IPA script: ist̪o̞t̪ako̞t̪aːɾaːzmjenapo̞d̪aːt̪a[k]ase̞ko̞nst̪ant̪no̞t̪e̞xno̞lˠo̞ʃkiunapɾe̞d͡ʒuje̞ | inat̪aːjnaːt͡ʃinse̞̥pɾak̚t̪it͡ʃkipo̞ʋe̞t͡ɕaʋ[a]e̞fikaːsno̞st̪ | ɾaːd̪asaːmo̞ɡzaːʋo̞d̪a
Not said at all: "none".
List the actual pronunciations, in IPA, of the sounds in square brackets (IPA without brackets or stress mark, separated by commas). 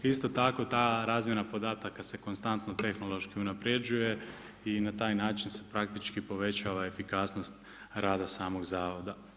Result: k, a